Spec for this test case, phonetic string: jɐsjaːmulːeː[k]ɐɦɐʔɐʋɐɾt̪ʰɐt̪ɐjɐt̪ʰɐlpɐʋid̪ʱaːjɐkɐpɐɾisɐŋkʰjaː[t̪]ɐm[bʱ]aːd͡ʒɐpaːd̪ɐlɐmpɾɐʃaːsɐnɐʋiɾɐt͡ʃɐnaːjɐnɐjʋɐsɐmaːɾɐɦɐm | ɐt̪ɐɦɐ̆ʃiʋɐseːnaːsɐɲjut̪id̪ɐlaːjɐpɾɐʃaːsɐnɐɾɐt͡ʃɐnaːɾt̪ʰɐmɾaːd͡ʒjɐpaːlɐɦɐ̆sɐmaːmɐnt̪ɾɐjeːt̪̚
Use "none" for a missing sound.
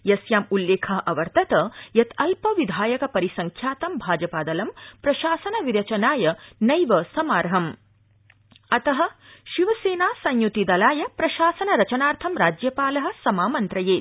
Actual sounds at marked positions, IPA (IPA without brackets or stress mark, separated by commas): kʰ, t̪, bʱ